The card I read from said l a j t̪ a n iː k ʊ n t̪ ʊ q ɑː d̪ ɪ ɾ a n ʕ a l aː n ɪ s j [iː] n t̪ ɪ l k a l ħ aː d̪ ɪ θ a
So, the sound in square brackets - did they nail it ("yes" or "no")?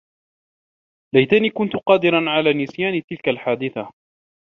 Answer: no